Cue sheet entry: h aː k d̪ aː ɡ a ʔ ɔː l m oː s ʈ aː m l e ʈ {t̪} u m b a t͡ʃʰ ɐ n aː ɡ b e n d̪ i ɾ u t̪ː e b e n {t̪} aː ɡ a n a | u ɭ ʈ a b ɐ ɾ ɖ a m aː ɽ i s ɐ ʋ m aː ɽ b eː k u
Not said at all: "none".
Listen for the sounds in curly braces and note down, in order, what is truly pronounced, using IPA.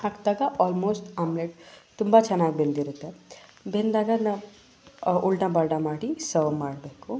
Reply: t̪, d̪

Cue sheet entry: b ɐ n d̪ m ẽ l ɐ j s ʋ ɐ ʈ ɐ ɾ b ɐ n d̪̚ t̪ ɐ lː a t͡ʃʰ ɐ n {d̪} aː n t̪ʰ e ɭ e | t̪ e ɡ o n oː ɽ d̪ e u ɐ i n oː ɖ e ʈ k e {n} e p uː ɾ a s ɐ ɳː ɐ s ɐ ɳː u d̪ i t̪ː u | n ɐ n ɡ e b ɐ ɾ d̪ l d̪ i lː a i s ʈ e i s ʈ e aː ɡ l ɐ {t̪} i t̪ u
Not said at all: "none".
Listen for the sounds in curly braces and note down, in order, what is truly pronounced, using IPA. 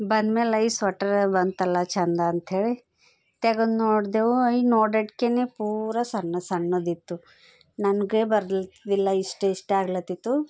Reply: d̪, n, t̪

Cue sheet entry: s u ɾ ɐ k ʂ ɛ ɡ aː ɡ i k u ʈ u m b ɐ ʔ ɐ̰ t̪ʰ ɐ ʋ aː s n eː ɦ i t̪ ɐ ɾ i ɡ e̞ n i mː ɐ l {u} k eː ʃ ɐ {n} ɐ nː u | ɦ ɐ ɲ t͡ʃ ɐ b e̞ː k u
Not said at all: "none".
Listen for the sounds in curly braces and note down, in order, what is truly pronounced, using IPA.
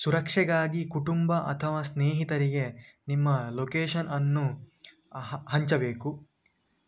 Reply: o, n

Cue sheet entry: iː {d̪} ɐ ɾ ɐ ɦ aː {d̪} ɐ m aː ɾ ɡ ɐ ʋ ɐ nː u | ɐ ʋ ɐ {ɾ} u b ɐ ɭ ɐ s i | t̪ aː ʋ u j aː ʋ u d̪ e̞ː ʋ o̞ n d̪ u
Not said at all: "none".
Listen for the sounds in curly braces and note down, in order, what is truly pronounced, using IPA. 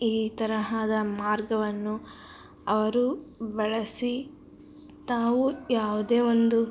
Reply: t̪, d̪, ɾ

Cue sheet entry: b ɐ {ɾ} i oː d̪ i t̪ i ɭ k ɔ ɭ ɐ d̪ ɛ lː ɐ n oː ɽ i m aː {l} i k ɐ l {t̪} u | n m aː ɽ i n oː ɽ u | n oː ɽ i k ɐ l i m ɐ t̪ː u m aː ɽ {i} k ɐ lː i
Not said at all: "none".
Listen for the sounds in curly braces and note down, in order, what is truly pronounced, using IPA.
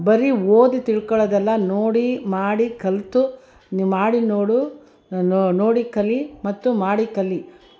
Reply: ɾ, ɽ, t̪, i

